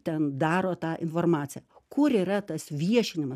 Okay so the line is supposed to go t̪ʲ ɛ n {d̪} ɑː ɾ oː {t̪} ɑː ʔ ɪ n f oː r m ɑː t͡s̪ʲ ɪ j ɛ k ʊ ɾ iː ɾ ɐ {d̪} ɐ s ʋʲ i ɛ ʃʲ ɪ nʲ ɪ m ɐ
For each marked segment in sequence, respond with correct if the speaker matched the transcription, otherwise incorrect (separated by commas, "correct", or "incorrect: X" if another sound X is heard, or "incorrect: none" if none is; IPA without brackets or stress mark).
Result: correct, correct, incorrect: t̪